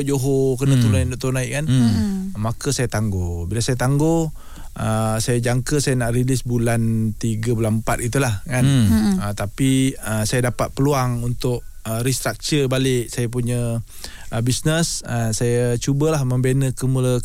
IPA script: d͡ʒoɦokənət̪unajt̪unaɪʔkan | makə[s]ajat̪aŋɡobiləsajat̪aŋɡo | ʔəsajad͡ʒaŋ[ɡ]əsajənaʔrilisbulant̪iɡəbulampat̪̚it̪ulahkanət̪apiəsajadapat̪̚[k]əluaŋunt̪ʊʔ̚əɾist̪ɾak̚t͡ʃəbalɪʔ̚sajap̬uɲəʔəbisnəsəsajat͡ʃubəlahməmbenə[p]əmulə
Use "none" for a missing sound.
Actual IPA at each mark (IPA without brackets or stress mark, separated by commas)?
s, k, p, k